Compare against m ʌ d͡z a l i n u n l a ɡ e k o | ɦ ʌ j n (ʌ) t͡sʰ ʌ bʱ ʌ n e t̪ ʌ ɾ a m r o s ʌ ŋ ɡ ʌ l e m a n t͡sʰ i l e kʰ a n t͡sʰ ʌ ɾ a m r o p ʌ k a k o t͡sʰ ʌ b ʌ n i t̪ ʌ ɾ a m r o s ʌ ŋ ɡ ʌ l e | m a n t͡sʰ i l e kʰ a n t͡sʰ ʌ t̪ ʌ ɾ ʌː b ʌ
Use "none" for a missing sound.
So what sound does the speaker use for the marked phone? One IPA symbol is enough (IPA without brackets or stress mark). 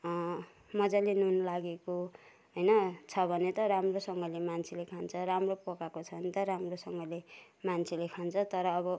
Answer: ʌ